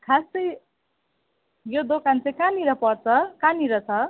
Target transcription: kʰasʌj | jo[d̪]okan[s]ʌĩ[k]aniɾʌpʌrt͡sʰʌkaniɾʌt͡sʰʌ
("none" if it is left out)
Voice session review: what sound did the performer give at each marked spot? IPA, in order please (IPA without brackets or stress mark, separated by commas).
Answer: d̪, t͡s, k